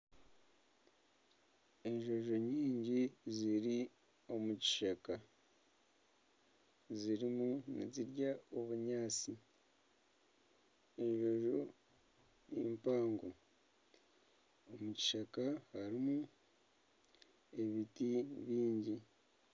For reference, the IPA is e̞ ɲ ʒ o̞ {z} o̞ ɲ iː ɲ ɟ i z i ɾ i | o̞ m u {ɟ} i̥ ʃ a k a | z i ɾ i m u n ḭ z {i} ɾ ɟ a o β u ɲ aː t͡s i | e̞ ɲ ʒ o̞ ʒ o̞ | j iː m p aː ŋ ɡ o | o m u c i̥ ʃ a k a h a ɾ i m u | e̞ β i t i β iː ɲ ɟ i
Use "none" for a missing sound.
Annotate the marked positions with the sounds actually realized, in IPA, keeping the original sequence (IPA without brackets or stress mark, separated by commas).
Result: ʒ, c, i